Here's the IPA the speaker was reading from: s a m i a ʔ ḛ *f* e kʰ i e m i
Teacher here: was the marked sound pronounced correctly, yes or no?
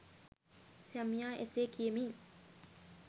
no